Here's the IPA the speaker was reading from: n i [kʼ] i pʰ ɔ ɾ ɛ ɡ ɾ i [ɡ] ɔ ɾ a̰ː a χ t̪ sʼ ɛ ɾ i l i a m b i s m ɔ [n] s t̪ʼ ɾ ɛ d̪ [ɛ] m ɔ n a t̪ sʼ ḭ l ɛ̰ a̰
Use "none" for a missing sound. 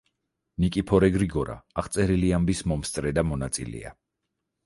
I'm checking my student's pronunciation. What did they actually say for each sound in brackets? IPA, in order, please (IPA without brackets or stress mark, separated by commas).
kʼ, ɡ, m, a